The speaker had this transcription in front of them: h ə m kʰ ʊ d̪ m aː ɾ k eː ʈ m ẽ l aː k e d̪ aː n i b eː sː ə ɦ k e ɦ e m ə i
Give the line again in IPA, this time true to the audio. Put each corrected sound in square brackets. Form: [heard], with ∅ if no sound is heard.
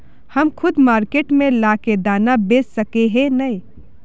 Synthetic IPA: h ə m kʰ ʊ d̪ m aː ɾ k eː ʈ m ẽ l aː k e d̪ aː n [a] b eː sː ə [∅] k e ɦ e [n] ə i